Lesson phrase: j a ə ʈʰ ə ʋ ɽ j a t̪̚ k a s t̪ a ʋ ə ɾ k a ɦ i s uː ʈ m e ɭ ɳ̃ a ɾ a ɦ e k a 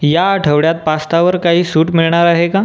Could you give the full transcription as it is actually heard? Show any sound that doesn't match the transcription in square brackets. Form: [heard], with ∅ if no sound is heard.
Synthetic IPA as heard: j a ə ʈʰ ə ʋ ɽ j a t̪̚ [p] a s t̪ a ʋ ə ɾ k a ɦ [iː] s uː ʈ m [i] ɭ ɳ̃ a ɾ a ɦ e k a